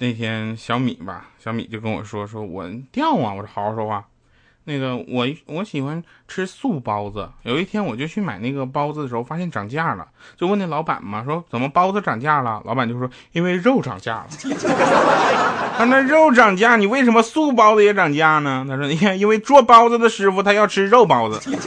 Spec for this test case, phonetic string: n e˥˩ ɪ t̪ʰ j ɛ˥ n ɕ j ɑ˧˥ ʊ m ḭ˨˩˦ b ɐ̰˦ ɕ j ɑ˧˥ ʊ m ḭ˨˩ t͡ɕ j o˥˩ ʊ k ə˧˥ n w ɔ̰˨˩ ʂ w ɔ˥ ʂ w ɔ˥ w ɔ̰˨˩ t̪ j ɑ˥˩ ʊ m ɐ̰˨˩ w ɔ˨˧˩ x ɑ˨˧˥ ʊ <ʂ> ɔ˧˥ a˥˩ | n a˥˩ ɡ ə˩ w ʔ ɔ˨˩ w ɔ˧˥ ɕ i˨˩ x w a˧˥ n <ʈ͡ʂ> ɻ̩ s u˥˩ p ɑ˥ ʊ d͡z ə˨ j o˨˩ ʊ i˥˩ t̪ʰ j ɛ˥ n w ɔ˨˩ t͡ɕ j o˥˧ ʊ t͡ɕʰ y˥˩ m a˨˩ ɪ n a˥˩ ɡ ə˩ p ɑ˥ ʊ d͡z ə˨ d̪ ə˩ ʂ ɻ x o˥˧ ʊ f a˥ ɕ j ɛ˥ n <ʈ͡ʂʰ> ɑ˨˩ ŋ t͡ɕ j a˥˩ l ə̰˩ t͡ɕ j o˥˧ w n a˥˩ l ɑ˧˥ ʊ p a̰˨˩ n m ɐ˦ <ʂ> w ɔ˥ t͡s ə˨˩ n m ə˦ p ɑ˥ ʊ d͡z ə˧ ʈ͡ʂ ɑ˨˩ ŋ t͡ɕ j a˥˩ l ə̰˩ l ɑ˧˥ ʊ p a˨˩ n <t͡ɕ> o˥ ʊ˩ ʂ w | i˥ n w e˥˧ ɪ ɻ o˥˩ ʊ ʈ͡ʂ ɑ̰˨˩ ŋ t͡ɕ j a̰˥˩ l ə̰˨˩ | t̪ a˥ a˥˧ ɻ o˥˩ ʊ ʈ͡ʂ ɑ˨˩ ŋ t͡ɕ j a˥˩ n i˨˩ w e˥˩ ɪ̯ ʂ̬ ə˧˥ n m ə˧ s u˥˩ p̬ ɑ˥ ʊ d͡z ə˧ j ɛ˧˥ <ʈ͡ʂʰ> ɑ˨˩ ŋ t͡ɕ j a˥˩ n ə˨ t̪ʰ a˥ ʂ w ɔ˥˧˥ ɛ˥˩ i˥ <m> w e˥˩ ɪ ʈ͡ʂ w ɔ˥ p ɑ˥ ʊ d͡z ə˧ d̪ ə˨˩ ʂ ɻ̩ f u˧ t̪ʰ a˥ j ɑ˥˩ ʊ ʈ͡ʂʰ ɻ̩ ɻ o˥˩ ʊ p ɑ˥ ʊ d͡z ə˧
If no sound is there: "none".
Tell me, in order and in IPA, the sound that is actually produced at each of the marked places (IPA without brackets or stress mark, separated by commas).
ʂ, ʈ͡ʂʰ, ʈ͡ʂ, ʂ, t͡ɕ, ʈ͡ʂ, n